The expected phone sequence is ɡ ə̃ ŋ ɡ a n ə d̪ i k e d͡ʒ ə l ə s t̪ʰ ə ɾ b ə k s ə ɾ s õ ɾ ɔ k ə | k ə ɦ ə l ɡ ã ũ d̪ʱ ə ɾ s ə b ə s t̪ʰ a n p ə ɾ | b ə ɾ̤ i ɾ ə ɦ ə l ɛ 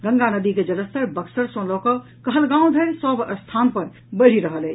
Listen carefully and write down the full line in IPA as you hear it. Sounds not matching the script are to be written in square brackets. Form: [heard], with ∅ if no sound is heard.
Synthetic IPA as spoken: ɡ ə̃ ŋ ɡ a n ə d̪ i k e d͡ʒ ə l ə s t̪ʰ ə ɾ b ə k s ə ɾ s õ [l] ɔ k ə | k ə ɦ ə l ɡ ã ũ d̪ʱ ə ɾ s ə b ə s t̪ʰ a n p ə ɾ | b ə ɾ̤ i ɾ ə ɦ ə l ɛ